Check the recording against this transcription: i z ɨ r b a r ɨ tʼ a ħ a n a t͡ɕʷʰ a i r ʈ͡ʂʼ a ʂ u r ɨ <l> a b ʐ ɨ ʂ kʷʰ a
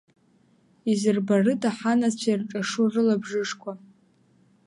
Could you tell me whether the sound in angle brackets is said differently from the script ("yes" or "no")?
no